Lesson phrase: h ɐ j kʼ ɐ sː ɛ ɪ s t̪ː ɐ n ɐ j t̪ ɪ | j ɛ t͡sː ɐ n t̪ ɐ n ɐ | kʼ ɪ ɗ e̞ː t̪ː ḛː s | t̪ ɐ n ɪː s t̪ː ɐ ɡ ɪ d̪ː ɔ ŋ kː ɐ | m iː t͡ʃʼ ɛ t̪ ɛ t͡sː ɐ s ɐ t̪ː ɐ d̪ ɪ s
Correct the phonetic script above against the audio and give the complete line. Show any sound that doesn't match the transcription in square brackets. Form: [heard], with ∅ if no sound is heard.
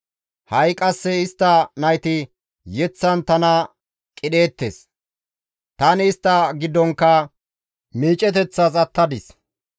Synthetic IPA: h ɐ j kʼ ɐ sː ɛ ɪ s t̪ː ɐ n ɐ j t̪ ɪ | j ɛ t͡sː ɐ n t̪ ɐ n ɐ | kʼ ɪ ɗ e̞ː t̪ː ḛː s | t̪ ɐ n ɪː s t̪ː ɐ ɡ ɪ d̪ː ɔ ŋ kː ɐ | m iː t͡ʃʼ ɛ t̪ ɛ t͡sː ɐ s ɐ t̪ː ɐ d̪ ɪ s

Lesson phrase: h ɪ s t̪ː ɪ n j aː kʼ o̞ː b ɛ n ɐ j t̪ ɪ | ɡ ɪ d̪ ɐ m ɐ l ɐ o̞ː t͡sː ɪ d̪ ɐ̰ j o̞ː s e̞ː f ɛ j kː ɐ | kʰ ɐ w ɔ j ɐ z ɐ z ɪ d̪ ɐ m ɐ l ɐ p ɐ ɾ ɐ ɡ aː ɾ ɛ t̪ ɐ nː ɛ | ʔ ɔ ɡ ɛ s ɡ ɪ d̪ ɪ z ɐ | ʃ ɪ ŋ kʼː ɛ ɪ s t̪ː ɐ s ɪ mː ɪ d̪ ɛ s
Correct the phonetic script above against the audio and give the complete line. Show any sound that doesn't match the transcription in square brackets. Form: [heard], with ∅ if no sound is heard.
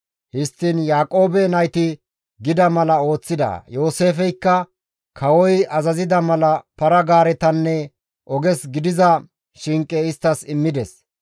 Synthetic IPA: h ɪ s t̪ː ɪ n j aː kʼ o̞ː b ɛ n ɐ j t̪ ɪ | ɡ ɪ d̪ ɐ m ɐ l ɐ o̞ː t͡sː ɪ d̪ ɐ̰ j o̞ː s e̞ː f ɛ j kː ɐ | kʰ ɐ w ɔ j ɐ z ɐ z ɪ d̪ ɐ m ɐ l ɐ p ɐ ɾ ɐ ɡ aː ɾ ɛ t̪ ɐ nː ɛ | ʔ ɔ ɡ ɛ s ɡ ɪ d̪ ɪ z ɐ | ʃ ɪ ŋ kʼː ɛ ɪ s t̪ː ɐ s ɪ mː ɪ d̪ ɛ s

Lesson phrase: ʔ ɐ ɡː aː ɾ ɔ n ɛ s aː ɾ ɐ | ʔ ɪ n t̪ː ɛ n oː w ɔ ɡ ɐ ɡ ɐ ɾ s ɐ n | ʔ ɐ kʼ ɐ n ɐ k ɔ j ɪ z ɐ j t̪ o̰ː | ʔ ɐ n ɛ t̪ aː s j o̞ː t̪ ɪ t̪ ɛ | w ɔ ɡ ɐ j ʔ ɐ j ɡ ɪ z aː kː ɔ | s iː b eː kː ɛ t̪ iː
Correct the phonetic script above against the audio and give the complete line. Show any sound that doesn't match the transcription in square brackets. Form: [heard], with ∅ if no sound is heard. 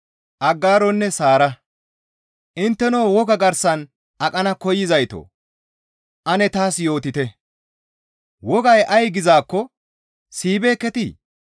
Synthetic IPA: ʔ ɐ ɡː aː ɾ ɔ [nː] ɛ s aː ɾ ɐ | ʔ ɪ n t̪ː ɛ n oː w ɔ ɡ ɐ ɡ ɐ ɾ s ɐ n | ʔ ɐ kʼ ɐ n ɐ k ɔ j ɪ z ɐ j t̪ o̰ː | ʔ ɐ n ɛ t̪ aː s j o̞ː t̪ ɪ t̪ ɛ | w ɔ ɡ ɐ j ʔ ɐ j ɡ ɪ z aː kː ɔ | s iː b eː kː ɛ t̪ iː

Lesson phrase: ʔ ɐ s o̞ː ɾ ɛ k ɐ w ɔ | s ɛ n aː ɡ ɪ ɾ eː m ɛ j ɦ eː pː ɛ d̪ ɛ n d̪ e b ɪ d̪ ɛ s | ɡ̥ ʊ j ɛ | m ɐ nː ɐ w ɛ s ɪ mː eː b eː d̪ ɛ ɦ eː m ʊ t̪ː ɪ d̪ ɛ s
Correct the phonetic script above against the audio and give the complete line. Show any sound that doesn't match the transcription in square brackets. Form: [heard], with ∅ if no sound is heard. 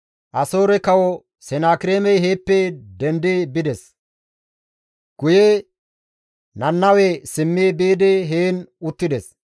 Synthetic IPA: ʔ ɐ s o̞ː ɾ ɛ k ɐ w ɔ | s ɛ n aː [k] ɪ ɾ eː m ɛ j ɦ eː pː ɛ d̪ ɛ n d̪ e b ɪ d̪ ɛ s | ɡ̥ ʊ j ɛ | [n] ɐ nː ɐ w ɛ s ɪ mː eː b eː d̪ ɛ ɦ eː [n] ʊ t̪ː ɪ d̪ ɛ s

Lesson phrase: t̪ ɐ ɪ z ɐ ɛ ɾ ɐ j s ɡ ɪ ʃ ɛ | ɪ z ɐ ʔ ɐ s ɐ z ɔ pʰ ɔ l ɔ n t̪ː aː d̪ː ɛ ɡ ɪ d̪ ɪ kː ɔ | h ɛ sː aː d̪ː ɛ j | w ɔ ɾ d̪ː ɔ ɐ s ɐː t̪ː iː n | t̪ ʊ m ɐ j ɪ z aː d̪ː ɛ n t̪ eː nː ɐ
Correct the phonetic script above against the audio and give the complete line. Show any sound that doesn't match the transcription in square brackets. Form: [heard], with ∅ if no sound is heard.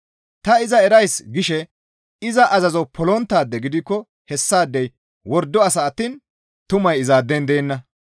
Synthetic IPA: t̪ ɐ ɪ z ɐ ɛ ɾ ɐ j s ɡ ɪ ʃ ɛ | ɪ z ɐ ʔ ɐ [z] ɐ z ɔ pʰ ɔ l ɔ n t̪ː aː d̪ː ɛ ɡ ɪ d̪ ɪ kː ɔ | h ɛ sː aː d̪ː ɛ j | w ɔ ɾ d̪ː ɔ ɐ s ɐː t̪ː iː n | t̪ ʊ m ɐ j ɪ z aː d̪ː ɛ n [d̪] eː nː ɐ

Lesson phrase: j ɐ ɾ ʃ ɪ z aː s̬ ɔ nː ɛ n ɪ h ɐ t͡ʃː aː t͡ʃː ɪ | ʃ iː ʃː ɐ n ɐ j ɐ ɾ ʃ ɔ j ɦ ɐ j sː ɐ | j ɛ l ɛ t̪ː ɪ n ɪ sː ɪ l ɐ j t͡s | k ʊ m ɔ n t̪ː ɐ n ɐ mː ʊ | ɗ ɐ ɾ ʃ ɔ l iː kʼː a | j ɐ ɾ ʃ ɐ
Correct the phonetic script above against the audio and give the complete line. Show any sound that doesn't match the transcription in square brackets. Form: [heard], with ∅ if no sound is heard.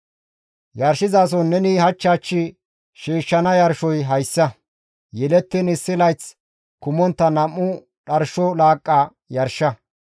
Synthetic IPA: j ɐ ɾ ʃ ɪ z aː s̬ ɔ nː ɛ n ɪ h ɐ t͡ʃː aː t͡ʃː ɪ | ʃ iː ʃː ɐ n ɐ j ɐ ɾ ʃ ɔ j ɦ ɐ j sː ɐ | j ɛ l ɛ t̪ː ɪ n ɪ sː ɪ l ɐ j t͡s | k ʊ m ɔ n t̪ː ɐ n ɐ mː ʊ | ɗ ɐ ɾ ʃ ɔ l [aː] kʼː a | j ɐ ɾ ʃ ɐ

